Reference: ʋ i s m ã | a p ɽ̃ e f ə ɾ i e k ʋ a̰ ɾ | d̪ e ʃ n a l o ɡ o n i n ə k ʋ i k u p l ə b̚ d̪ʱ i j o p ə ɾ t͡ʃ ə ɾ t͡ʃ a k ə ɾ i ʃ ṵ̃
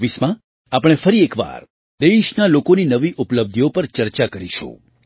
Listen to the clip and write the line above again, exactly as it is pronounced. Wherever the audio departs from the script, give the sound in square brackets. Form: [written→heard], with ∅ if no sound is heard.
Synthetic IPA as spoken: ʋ i s m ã | a p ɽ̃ e f ə ɾ i e k ʋ a̰ ɾ | d̪ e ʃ n a l o [ɡ→k] o n i n ə [k→∅] ʋ i [k→ʔ] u p l ə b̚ d̪ʱ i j o p ə ɾ t͡ʃ ə ɾ t͡ʃ a k ə ɾ i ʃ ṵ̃